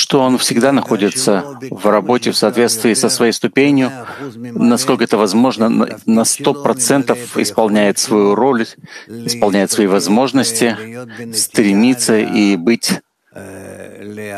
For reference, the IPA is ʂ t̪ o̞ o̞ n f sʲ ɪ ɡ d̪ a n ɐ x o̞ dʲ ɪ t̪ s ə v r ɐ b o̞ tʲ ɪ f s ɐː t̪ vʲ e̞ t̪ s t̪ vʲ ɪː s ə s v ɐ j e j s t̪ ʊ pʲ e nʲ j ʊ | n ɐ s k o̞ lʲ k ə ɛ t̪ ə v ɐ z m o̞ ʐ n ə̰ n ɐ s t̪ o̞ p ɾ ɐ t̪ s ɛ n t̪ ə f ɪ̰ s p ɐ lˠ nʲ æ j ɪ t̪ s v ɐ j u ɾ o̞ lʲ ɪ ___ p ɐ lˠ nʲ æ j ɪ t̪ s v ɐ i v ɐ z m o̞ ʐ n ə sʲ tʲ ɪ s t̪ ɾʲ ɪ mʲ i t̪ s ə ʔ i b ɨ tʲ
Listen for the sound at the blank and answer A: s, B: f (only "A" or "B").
A